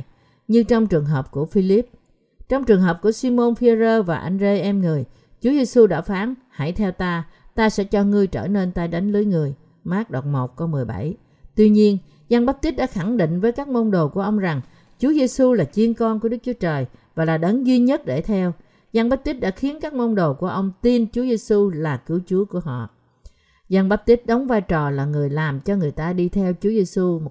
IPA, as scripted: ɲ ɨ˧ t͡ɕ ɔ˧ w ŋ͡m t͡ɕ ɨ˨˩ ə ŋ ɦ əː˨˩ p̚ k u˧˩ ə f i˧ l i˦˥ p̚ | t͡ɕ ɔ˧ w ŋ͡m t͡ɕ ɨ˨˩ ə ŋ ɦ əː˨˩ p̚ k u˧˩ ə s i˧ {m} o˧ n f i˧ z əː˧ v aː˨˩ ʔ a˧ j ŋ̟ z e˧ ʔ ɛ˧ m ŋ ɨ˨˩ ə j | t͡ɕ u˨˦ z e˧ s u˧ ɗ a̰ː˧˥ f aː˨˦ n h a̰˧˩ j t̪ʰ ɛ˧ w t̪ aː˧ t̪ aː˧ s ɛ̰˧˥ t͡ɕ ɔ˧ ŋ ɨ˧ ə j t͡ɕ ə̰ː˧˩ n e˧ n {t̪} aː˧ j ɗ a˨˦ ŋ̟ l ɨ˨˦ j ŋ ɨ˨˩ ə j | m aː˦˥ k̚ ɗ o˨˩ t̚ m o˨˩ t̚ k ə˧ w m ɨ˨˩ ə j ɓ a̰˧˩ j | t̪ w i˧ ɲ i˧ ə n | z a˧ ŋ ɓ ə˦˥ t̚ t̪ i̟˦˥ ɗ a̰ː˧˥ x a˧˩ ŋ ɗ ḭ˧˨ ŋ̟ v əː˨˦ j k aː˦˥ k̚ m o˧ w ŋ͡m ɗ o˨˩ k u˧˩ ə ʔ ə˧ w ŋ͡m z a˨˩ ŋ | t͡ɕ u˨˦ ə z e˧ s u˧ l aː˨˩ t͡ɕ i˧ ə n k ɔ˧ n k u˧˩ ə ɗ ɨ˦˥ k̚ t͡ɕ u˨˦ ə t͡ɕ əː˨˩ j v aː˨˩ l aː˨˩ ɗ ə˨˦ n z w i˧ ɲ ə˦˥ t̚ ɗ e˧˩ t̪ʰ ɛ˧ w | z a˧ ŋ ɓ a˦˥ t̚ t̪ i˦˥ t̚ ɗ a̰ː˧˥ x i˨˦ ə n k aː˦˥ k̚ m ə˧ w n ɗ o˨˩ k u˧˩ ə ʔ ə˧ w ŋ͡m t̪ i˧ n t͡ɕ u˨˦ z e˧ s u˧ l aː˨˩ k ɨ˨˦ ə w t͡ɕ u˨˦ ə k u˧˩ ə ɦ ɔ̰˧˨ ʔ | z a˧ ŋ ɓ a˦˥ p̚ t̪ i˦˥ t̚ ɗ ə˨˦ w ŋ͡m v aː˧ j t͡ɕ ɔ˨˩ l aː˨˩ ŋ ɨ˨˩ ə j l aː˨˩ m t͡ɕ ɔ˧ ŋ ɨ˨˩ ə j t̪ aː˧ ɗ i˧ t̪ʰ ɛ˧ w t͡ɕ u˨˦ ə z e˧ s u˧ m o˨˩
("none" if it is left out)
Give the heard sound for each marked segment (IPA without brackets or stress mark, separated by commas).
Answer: m, t̪